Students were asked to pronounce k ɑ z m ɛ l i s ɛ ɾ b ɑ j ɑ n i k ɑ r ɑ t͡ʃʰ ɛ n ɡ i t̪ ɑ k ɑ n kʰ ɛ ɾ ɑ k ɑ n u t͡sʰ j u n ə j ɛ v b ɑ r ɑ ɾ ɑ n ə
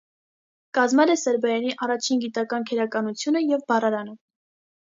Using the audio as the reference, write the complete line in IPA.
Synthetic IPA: k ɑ z m ɛ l ɛ s ɛ ɾ b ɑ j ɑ n i ʔ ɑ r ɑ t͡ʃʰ i n ɡ i t̪ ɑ k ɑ n kʰ ɛ ɾ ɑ k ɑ n u t͡sʰ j u n ə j ɛ v b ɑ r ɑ ɾ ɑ n ə